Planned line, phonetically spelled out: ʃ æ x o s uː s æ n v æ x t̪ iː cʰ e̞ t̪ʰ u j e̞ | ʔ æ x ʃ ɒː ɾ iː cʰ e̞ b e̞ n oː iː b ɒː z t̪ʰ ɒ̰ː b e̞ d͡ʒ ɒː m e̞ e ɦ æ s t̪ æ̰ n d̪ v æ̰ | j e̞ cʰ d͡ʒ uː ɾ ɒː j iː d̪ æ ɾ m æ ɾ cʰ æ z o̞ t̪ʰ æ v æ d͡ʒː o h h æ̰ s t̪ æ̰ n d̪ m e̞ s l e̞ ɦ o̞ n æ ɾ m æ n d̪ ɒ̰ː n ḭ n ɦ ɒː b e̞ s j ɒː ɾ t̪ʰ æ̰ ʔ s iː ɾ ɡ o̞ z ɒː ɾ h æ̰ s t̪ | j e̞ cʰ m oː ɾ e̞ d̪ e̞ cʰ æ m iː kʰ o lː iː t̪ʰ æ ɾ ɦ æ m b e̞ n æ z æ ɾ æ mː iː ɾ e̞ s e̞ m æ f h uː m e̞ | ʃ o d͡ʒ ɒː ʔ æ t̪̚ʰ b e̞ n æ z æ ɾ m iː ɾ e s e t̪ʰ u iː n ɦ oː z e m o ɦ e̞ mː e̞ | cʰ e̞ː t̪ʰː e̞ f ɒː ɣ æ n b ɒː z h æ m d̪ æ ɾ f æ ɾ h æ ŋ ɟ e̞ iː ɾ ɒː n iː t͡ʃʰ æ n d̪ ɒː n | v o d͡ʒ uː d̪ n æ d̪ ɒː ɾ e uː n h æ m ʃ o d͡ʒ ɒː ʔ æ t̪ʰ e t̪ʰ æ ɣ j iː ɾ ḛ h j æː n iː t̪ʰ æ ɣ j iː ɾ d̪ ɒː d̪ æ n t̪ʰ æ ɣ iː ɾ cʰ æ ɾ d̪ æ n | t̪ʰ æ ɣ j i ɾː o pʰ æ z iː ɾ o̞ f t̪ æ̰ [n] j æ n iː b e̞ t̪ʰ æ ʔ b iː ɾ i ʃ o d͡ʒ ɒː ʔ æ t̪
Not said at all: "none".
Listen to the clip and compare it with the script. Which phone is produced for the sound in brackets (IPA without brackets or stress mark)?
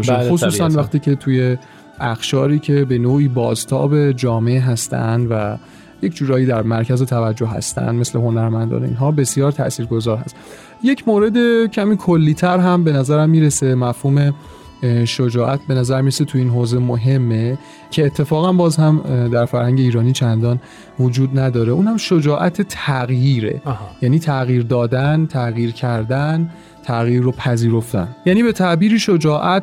n